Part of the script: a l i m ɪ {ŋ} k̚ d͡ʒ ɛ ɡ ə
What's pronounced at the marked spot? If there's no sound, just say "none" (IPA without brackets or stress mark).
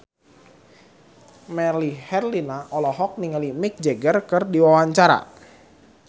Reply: none